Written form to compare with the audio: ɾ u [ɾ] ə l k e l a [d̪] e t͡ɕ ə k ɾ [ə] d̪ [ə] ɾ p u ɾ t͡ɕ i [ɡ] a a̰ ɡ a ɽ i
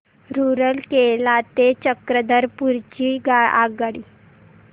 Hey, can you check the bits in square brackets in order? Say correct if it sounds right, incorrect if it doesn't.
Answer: correct, incorrect: t̪, correct, correct, correct

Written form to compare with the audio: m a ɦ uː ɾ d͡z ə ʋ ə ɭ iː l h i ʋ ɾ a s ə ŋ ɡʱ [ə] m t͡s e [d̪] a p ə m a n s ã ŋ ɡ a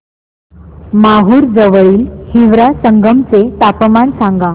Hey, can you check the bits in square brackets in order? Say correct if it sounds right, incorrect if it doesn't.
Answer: correct, incorrect: t̪

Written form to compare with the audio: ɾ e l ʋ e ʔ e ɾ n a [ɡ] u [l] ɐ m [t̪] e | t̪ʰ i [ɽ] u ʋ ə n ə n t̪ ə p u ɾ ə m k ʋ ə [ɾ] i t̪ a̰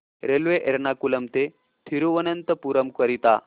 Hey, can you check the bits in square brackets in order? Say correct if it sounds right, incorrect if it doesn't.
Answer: incorrect: k, correct, correct, incorrect: ɾ, correct

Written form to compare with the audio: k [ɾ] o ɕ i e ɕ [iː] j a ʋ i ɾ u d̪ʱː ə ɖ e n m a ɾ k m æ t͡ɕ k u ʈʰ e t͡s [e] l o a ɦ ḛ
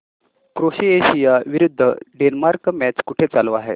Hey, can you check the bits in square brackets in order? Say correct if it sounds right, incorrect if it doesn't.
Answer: correct, incorrect: i, incorrect: a

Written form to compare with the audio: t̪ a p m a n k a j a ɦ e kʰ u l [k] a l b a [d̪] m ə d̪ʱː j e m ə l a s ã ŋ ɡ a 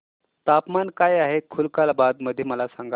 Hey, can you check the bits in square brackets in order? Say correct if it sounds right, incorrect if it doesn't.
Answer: correct, correct

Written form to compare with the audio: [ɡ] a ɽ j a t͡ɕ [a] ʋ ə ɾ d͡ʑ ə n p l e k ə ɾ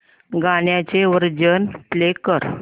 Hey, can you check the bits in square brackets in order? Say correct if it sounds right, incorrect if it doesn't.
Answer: correct, incorrect: e

